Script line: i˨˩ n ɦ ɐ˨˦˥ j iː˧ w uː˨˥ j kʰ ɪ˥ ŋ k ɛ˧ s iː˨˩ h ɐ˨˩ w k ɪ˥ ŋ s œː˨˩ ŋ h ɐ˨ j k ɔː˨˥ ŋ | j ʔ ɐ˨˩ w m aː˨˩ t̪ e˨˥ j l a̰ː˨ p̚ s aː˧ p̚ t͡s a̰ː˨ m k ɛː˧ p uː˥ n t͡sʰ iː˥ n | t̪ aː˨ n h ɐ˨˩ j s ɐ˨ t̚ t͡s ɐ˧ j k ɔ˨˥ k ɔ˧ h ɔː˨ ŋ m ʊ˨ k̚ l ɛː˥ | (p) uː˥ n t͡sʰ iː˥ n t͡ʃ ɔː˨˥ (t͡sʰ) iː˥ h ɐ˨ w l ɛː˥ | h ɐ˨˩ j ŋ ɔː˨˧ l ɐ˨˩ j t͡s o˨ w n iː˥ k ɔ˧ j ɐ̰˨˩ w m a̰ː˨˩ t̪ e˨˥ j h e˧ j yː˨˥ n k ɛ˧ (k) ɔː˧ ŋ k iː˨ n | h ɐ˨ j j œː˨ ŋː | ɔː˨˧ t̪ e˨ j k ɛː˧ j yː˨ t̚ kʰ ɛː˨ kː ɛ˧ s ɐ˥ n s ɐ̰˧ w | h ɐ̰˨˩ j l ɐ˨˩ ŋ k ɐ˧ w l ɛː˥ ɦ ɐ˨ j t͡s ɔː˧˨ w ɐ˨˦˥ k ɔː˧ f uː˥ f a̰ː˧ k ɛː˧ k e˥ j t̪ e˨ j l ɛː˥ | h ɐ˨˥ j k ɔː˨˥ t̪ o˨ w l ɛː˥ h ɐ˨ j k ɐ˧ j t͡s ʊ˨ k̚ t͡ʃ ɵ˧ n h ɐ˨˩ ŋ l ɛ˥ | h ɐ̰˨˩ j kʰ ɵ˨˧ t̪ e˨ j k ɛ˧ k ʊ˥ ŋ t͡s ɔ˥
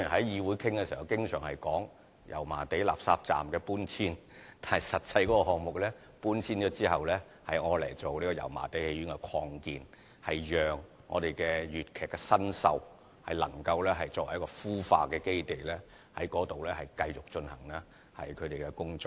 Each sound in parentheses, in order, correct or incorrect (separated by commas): correct, incorrect, incorrect